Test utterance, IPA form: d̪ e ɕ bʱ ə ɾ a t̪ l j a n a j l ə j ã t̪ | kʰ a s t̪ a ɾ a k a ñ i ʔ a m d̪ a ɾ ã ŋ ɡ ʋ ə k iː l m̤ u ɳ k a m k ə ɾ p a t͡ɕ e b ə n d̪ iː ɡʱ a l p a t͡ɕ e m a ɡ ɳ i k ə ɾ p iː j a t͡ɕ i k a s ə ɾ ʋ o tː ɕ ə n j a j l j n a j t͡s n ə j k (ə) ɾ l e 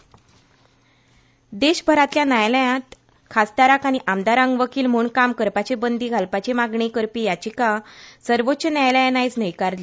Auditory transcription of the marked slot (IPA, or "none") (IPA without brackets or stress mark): a